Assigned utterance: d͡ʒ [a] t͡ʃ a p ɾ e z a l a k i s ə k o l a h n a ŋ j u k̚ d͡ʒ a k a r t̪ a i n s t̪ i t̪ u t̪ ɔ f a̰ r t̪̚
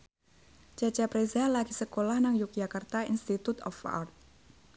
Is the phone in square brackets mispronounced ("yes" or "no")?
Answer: no